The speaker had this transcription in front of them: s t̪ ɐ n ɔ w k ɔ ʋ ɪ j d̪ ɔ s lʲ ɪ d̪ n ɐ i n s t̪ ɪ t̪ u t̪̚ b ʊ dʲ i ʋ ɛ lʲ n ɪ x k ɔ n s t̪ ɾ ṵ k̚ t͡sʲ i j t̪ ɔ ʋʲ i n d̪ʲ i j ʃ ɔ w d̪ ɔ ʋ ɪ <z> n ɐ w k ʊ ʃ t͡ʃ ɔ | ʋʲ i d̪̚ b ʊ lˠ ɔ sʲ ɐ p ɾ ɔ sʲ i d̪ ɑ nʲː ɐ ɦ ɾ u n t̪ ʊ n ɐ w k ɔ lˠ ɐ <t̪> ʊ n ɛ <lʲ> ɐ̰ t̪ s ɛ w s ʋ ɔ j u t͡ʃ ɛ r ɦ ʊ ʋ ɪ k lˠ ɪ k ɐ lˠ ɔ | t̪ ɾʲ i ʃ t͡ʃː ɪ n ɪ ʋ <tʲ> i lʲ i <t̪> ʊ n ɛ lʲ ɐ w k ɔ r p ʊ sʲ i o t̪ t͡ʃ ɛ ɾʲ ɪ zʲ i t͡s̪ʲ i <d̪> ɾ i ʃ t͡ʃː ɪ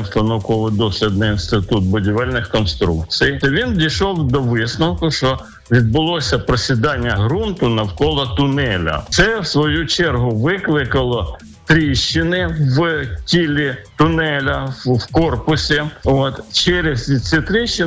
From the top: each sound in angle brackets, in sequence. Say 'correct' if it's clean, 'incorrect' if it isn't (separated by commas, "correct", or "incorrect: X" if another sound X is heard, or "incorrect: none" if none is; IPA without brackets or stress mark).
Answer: incorrect: s, correct, correct, correct, correct, incorrect: t̪